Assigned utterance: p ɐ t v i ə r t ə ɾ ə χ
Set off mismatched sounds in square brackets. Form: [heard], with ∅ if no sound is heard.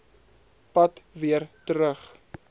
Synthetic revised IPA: p ɐ t v i ə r t ə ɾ ə χ